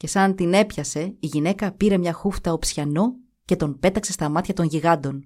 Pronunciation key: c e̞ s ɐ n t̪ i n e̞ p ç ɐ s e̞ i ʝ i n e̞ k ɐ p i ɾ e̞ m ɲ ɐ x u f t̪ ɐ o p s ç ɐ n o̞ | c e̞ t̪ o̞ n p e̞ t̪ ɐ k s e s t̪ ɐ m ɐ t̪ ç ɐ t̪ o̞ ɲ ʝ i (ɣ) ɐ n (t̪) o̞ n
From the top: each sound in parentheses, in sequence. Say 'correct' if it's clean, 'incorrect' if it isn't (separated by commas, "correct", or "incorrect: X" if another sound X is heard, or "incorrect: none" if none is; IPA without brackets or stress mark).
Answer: correct, incorrect: d̪